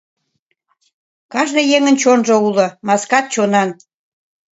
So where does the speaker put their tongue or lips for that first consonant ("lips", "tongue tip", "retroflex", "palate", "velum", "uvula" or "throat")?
velum